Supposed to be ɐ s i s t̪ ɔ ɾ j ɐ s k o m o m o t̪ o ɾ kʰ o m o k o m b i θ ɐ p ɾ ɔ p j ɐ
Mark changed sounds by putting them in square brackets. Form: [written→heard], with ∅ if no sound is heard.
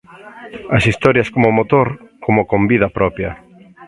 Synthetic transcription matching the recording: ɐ s i s t̪ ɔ ɾ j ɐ s k o m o m o t̪ o ɾ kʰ o m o k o m b i [θ→ð] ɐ p ɾ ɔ p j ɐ

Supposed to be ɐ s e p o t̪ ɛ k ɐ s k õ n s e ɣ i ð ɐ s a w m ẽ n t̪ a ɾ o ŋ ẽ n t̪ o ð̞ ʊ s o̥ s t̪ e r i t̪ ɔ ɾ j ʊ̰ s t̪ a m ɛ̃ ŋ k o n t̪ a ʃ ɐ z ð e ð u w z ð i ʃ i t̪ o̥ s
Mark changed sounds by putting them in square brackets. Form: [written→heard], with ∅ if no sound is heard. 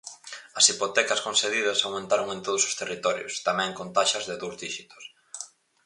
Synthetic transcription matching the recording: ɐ s [e→i] p o t̪ ɛ k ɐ s k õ n s e [ɣ→ð] i ð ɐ s a w m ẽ n t̪ a ɾ o ŋ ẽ n t̪ o ð̞ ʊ s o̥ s t̪ e r i t̪ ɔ ɾ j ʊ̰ s t̪ a m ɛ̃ ŋ k o n t̪ a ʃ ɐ z ð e ð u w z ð i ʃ i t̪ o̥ s

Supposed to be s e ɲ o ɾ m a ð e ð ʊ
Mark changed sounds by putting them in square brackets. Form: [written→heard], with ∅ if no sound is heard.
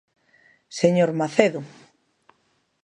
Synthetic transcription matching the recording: s e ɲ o ɾ m a [ð→θ] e ð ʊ

